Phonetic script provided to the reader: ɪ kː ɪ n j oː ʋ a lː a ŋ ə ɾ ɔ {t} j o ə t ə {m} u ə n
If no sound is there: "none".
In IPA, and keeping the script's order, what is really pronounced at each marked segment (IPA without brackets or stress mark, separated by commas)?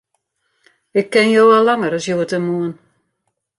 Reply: s, m